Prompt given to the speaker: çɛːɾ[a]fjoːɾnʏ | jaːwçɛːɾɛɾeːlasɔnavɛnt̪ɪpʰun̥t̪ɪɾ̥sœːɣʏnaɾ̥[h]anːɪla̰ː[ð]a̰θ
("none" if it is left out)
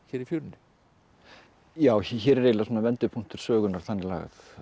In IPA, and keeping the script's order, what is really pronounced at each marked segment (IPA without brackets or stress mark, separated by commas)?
i, θ, ɣ